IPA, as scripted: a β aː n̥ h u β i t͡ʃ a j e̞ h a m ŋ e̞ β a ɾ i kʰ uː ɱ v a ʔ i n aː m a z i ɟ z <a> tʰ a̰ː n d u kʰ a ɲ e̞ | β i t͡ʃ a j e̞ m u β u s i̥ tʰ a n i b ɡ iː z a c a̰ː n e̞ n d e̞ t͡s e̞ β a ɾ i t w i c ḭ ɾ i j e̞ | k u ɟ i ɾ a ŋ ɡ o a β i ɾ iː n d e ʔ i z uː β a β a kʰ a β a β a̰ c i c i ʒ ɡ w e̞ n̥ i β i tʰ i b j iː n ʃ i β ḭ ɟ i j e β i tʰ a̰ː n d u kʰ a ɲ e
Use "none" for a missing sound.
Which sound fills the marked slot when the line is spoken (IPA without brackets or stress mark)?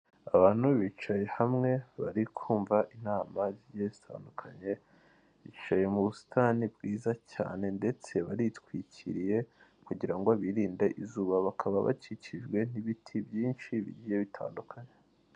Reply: i